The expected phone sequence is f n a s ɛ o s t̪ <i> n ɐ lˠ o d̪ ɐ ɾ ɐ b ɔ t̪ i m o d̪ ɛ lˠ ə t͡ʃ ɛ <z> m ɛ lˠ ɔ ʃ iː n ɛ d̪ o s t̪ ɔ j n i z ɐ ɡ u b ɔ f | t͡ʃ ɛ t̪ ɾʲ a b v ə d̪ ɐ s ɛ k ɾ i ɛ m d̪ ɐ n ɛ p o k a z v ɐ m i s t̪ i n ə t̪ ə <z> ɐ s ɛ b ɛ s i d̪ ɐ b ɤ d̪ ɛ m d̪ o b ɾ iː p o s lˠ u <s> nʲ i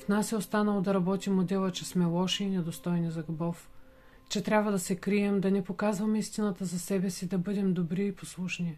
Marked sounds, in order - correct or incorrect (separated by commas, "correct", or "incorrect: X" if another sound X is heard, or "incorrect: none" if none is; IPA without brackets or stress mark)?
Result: incorrect: a, incorrect: s, correct, incorrect: ʃ